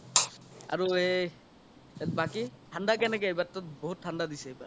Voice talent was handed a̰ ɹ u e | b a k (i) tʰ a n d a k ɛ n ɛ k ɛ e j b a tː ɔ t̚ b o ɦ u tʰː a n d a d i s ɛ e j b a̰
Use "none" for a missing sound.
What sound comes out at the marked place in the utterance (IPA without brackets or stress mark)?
i